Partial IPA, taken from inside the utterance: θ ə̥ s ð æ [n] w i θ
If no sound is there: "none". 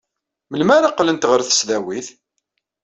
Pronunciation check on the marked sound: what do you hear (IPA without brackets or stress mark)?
none